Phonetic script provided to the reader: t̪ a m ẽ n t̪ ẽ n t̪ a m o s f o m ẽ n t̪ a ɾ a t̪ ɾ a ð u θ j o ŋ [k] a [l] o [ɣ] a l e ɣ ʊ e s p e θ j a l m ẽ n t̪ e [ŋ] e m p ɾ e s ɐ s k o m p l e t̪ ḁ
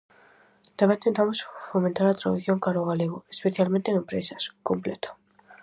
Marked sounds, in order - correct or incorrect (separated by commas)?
correct, incorrect, correct, correct